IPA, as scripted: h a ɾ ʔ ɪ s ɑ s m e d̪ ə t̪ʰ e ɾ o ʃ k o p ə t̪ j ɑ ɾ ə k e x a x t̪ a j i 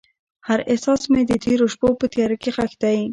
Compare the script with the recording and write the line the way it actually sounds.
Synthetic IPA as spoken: h a ɾ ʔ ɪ s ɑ s m e d̪ ə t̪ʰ e ɾ o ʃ p o p ə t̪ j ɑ ɾ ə k e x a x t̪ a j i